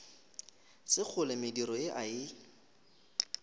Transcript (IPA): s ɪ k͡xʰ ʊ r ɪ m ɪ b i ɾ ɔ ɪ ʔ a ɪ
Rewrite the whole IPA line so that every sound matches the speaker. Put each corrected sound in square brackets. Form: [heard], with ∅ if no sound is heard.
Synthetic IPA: s ɪ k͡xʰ ʊ [l] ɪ m ɪ [d] i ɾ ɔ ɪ ʔ a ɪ